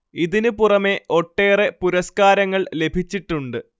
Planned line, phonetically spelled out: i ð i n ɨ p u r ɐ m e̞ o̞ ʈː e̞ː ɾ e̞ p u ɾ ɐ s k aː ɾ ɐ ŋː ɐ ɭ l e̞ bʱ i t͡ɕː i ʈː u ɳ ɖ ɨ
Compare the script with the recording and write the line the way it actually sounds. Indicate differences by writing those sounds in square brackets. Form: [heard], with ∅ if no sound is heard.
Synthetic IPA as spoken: i ð i n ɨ p u r ɐ m e̞ o̞ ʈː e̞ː [r] e̞ p u ɾ ɐ s k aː ɾ ɐ ŋː ɐ ɭ l e̞ bʱ i t͡ɕː i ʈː u ɳ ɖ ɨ

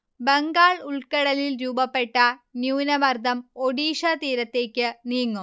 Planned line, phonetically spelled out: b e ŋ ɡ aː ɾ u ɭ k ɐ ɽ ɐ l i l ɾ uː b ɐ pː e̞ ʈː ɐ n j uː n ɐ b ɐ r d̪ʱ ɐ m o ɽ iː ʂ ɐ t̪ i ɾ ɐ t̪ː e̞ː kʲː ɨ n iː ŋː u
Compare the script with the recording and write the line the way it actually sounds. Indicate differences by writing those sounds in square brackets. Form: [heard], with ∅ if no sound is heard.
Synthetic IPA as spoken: b e ŋ ɡ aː [ɭ] u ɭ k ɐ ɽ ɐ l i l ɾ uː b ɐ pː e̞ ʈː ɐ n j uː n ɐ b ɐ r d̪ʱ ɐ m o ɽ iː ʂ ɐ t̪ [iː] ɾ ɐ t̪ː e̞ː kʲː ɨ n iː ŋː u

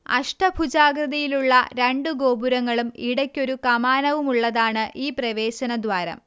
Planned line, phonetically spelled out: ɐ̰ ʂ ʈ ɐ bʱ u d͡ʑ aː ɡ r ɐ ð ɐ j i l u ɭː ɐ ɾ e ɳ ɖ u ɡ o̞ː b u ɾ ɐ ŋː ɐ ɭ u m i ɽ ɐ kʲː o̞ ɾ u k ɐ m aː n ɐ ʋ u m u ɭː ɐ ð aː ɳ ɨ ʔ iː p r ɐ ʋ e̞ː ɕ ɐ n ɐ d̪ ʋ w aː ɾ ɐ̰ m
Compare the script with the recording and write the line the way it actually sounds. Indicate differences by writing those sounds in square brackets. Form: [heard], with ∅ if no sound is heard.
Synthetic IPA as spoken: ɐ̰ ʂ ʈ ɐ bʱ u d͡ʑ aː ɡ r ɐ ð ɐ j i l u ɭː ɐ ɾ e ɳ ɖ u ɡ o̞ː b u ɾ ɐ ŋː ɐ ɭ u m i ɽ ɐ kʲː o̞ ɾ u k ɐ m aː n ɐ ʋ u m u ɭː ɐ ð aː ɳ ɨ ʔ iː p r ɐ ʋ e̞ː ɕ ɐ n ɐ d̪ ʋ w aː ɾ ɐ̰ m

